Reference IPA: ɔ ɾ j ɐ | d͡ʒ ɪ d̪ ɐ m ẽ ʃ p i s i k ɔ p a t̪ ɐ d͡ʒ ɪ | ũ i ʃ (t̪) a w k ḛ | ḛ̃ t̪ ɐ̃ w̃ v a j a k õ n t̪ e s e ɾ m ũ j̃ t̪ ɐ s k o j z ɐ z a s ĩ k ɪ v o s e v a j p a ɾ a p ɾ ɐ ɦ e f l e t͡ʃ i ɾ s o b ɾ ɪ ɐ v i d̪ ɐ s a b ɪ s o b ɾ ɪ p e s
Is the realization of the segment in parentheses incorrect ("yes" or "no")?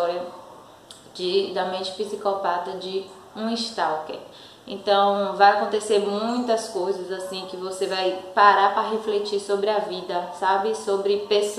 no